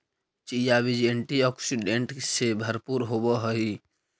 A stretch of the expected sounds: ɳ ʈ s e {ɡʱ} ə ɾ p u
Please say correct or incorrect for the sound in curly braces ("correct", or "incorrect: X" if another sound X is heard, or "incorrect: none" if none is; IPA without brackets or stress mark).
incorrect: bʱ